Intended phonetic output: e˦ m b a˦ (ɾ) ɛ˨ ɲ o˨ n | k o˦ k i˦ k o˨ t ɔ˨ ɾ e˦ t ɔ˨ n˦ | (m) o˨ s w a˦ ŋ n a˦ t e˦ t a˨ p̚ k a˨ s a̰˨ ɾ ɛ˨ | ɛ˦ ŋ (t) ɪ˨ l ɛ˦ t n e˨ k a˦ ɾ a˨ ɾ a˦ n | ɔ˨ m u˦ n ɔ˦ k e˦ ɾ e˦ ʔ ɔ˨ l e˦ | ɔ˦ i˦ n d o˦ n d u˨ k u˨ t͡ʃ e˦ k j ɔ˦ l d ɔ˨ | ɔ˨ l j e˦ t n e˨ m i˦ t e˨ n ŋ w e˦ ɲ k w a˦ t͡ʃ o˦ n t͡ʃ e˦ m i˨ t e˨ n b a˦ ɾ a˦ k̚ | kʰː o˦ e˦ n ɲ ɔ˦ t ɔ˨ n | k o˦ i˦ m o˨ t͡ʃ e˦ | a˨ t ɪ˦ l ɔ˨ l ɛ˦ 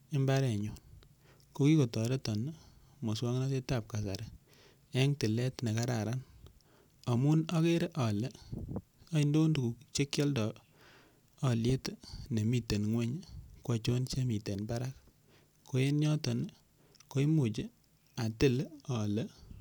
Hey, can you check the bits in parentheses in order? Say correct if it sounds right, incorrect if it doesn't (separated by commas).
correct, correct, correct